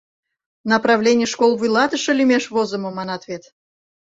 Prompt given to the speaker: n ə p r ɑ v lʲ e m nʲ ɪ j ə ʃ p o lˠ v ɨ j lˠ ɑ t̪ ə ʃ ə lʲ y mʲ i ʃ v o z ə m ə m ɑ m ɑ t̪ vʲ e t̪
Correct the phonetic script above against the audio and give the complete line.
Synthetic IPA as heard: n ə p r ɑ v lʲ e nʲ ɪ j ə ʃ k o lˠ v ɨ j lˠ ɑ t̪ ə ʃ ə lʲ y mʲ e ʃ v o z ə m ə m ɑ n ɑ t̪ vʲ e t̪